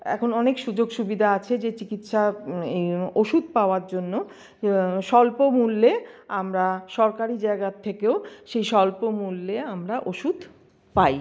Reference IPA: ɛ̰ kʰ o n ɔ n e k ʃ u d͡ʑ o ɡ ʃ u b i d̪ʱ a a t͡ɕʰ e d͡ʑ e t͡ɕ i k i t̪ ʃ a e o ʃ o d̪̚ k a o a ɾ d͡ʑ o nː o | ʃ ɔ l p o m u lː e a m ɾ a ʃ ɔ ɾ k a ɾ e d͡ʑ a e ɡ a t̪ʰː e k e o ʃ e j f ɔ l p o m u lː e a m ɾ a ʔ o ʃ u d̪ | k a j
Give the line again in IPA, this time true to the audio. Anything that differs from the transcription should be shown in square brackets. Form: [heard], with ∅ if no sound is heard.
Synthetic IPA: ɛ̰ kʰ o n ɔ n e k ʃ u d͡ʑ o ɡ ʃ u b i d̪ʱ a a t͡ɕʰ e d͡ʑ e t͡ɕ i k i t̪ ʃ a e o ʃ [u] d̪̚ [p] a o a ɾ d͡ʑ o nː o | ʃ ɔ l p o m u lː e a m ɾ a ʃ ɔ ɾ k a ɾ [i] d͡ʑ a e ɡ a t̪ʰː e k e o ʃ e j [ʃ] ɔ l p o m u lː e a m ɾ a ʔ o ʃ u d̪ | [p] a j